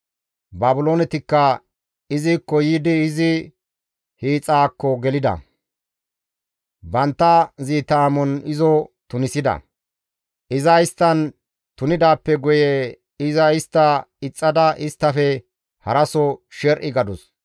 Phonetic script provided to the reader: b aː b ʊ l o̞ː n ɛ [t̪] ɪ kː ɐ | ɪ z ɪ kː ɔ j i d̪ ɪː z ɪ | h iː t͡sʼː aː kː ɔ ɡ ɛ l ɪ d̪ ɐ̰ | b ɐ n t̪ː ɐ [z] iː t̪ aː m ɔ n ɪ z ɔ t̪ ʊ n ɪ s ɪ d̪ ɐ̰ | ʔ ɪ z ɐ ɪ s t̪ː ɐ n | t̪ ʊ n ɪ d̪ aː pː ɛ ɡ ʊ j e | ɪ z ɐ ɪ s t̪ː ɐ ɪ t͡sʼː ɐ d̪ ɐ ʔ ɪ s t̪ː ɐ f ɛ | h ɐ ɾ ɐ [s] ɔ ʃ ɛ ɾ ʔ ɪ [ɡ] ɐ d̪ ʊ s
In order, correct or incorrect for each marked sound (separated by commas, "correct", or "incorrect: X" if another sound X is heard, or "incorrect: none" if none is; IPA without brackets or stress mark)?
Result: correct, correct, correct, correct